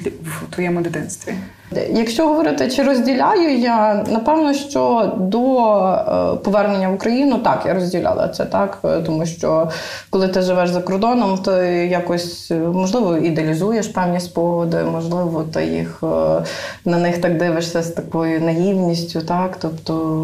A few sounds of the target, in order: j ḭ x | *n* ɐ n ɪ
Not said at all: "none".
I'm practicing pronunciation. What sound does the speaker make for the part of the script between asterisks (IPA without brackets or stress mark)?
n